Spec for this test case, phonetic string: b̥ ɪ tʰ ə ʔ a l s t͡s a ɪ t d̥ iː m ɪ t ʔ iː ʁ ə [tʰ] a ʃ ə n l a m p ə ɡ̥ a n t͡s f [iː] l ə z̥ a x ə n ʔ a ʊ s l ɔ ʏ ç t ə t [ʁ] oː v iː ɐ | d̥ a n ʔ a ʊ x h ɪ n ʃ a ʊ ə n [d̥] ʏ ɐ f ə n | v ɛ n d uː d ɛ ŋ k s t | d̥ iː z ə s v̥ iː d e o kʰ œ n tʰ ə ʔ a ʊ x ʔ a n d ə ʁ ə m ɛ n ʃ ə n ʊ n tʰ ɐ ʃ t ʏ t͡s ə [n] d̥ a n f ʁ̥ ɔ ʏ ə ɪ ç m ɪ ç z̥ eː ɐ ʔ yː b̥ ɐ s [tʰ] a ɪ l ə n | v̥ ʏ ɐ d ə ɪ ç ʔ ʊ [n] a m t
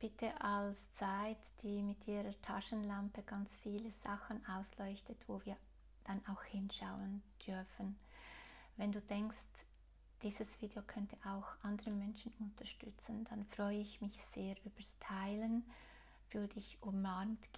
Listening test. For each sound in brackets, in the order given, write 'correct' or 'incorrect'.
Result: correct, correct, incorrect, correct, correct, correct, incorrect

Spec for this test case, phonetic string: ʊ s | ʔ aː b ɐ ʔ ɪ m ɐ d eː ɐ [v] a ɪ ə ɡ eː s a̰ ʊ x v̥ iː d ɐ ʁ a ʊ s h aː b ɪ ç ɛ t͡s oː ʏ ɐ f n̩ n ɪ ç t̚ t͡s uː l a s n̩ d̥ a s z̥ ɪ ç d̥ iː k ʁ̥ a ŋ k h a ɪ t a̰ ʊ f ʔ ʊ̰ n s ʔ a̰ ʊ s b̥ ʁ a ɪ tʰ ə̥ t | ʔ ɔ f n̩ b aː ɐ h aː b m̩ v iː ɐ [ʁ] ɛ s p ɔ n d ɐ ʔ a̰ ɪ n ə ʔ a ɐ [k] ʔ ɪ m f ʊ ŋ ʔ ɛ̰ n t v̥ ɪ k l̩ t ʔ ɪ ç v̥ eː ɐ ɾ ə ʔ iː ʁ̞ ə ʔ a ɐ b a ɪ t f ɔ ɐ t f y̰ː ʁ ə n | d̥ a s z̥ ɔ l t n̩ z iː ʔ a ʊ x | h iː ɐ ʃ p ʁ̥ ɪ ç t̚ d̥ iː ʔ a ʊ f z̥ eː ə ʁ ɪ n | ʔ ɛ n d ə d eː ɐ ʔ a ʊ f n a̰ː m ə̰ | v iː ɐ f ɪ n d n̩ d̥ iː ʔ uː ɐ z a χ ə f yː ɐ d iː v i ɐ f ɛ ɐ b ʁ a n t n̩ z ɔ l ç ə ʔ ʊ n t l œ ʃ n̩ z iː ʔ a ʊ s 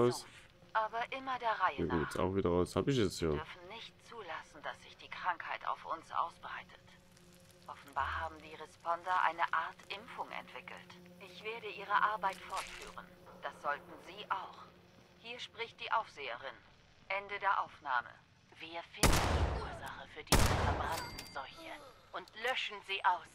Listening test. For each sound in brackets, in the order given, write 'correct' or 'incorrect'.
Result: incorrect, correct, incorrect

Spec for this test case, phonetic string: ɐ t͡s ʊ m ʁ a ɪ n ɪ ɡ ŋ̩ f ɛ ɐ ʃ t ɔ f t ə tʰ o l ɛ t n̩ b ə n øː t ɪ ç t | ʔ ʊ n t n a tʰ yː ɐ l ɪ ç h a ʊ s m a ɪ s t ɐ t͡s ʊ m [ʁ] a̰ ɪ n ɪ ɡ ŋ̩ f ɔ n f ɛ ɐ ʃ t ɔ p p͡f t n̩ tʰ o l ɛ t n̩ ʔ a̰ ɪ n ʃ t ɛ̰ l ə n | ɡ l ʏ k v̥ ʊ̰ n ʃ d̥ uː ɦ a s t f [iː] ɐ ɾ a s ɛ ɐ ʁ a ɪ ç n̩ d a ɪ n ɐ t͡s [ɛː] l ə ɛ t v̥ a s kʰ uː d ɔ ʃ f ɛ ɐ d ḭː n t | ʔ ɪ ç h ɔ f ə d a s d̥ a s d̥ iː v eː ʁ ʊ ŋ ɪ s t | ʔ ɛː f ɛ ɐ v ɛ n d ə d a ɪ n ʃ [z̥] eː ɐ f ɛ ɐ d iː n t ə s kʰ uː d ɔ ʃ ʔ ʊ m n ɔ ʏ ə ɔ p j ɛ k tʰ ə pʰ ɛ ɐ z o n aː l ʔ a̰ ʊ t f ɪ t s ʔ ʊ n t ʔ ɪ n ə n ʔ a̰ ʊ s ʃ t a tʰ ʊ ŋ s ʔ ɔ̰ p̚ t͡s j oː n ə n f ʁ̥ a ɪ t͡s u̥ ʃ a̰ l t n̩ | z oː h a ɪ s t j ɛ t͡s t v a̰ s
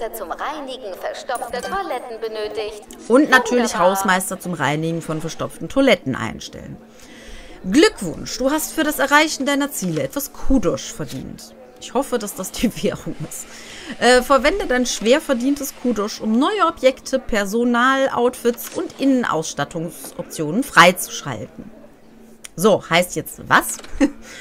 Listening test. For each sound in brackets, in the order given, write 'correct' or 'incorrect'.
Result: correct, incorrect, incorrect, incorrect

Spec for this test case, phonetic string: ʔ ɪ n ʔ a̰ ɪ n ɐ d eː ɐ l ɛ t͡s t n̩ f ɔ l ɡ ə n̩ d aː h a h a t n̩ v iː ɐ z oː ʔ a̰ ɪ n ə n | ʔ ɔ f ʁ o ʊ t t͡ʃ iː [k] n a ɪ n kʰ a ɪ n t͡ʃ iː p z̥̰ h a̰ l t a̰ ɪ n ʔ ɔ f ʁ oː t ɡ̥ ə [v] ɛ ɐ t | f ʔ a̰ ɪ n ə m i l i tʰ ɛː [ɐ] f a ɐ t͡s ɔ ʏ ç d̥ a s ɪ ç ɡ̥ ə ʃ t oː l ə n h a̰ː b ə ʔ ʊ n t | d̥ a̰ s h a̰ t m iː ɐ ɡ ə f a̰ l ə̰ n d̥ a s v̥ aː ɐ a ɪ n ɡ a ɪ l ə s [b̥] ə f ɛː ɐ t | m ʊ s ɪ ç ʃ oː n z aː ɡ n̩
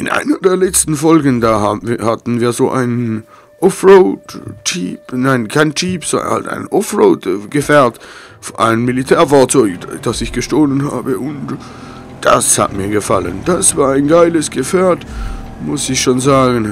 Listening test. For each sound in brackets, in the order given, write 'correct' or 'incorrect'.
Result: incorrect, incorrect, correct, incorrect

